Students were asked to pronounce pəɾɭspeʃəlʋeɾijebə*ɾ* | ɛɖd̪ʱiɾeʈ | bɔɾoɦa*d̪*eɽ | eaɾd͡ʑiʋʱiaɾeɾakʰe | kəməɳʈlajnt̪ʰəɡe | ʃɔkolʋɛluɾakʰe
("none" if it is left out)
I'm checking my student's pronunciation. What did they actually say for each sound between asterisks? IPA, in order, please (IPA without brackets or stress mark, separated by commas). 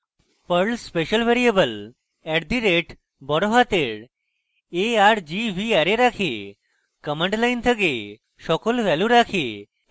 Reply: l, t̪